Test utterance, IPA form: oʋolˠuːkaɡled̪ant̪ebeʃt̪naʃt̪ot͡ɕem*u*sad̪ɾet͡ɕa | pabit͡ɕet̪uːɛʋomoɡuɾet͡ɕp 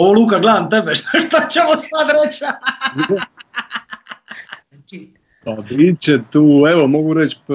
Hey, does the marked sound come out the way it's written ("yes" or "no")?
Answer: no